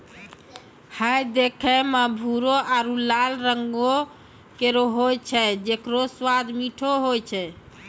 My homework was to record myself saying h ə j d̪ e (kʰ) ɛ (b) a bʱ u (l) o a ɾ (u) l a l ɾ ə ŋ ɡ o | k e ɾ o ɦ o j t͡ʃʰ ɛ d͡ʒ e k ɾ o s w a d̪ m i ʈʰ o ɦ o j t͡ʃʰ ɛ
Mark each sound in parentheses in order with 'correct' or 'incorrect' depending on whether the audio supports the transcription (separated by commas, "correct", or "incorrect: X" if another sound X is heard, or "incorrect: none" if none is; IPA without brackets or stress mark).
correct, incorrect: m, incorrect: ɾ, correct